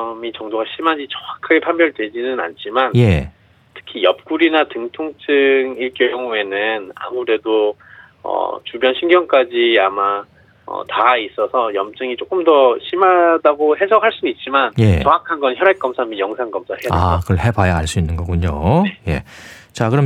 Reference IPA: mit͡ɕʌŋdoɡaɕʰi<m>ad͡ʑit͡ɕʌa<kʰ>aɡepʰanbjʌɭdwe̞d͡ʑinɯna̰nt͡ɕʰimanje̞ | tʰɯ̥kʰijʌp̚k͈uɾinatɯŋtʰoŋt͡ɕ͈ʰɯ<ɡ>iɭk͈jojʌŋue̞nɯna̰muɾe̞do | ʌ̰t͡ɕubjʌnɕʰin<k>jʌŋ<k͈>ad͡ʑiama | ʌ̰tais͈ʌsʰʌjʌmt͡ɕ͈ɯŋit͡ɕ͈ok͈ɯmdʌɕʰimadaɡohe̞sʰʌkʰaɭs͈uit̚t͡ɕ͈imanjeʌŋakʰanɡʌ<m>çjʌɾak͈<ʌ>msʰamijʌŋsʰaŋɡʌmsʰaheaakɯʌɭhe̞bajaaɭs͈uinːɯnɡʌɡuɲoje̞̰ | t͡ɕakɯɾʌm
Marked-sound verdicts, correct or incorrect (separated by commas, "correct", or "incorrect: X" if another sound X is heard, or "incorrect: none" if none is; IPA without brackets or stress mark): correct, correct, incorrect: ŋ, incorrect: ɡ, correct, incorrect: n, correct